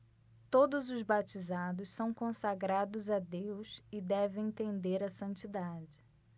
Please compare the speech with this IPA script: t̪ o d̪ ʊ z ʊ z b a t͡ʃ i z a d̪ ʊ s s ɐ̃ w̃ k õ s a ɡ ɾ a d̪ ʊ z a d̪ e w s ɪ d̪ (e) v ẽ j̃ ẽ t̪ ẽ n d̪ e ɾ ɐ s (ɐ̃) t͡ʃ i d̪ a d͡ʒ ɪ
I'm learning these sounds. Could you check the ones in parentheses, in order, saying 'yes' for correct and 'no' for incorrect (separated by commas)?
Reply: no, yes